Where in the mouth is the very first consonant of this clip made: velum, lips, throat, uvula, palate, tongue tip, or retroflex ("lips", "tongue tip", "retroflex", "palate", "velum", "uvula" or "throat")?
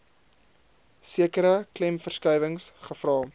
tongue tip